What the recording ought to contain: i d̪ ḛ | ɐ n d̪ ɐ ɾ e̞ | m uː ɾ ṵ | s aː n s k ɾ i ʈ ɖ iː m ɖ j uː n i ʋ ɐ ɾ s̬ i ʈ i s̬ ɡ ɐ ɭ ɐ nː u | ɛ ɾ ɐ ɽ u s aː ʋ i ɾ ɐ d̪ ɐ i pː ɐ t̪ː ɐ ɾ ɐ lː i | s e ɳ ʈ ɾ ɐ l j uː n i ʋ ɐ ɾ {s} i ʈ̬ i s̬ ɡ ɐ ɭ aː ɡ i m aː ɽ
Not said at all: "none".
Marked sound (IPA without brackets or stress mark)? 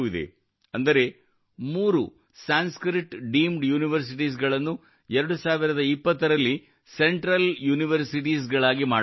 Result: s